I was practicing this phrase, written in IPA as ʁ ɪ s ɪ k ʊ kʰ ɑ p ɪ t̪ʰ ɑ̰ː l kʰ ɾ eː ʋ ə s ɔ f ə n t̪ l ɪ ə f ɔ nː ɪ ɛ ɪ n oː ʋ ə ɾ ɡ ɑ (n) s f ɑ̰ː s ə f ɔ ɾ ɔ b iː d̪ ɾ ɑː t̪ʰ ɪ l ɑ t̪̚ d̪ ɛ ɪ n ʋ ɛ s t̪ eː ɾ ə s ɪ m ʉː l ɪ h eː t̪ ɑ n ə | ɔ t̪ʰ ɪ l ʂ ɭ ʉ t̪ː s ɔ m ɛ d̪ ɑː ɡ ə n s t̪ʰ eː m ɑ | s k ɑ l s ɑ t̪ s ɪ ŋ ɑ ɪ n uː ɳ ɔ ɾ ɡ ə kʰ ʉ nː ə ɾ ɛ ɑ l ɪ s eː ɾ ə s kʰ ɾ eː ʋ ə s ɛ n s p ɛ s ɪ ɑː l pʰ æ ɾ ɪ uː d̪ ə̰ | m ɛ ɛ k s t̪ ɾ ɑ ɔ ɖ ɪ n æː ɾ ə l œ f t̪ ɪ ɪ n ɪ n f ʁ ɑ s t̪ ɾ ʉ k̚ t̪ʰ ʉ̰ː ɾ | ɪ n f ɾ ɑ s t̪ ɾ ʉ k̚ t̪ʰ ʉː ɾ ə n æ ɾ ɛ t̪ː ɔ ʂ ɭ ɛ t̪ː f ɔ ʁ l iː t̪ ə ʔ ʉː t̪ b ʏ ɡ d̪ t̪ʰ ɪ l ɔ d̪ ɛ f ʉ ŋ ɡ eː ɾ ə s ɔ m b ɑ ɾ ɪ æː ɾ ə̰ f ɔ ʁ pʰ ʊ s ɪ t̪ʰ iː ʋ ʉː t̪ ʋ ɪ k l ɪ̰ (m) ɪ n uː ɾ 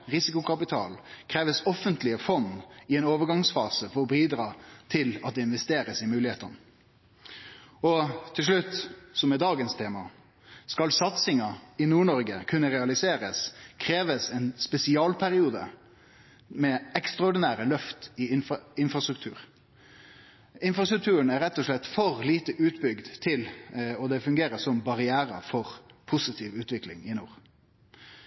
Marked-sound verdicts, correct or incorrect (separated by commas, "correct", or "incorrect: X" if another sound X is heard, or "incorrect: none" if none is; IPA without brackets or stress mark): incorrect: ŋ, incorrect: ŋ